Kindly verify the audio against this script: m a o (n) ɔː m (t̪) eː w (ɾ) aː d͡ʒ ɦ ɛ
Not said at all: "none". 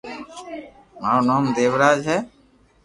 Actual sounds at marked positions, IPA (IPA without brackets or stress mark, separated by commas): n, d̪, ɾ